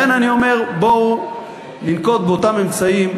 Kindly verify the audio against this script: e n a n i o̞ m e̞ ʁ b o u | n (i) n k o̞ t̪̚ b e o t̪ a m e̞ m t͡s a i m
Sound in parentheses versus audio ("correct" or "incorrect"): correct